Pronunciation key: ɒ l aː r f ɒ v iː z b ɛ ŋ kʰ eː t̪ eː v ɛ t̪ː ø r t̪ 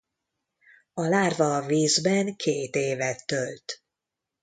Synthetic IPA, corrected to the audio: ɒ l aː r v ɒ v iː z b ɛ ŋ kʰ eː t̪ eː v ɛ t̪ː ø l t̪